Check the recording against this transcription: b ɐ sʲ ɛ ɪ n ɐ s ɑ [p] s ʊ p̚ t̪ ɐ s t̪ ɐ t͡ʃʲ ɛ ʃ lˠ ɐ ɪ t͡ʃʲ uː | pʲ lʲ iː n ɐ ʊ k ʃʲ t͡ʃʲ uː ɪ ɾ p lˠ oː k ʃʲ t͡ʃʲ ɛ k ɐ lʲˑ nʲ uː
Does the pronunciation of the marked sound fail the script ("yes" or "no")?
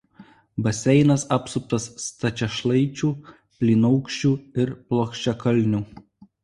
no